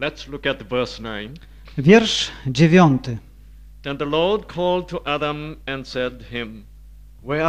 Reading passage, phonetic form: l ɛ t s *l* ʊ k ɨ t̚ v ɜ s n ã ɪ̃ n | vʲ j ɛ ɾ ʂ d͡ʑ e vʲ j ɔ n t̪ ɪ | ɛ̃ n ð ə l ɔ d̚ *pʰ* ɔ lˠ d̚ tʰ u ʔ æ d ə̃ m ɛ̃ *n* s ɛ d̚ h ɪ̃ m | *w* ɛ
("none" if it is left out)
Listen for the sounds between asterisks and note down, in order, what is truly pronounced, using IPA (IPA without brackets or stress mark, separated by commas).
l, kʰ, n, w